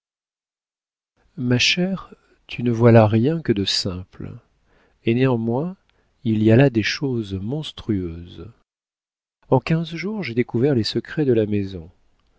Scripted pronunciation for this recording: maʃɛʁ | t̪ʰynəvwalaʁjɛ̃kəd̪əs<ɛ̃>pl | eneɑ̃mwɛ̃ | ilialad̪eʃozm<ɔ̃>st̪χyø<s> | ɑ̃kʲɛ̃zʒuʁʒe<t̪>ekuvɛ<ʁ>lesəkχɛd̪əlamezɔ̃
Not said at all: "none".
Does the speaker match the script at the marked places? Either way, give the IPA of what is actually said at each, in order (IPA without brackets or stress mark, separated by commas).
ɛ̃, ɔ̃, z, d̪, ʁ